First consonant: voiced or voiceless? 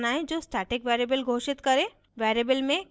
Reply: voiced